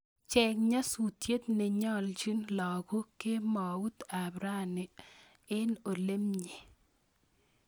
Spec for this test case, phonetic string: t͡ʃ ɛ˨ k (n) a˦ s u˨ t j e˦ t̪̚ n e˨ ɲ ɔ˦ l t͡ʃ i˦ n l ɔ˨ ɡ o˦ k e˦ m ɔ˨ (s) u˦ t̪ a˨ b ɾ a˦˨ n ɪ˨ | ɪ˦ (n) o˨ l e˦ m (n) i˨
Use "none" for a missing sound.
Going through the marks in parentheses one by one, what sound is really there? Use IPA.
ɲ, none, n, ɲ

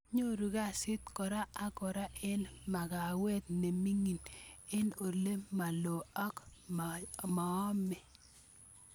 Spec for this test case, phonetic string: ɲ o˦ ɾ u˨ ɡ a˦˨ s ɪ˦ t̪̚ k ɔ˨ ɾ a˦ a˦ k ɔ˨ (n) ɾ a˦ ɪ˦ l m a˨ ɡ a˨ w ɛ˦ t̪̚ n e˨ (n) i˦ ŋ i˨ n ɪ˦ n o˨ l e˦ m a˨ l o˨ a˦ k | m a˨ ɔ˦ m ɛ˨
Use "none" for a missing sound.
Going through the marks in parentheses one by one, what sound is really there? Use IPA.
none, m

